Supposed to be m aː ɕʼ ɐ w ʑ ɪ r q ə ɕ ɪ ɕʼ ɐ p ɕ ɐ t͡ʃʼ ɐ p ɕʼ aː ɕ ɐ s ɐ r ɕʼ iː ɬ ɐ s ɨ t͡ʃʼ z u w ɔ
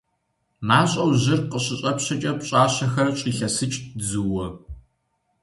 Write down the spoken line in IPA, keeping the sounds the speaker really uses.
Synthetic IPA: m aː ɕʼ ɐ w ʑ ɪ r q ə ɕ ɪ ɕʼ ɐ p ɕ ɐ t͡ʃʼ ɐ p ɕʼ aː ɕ ɐ x ɐ r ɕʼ iː ɬ ɐ s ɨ t͡ʃʼ z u w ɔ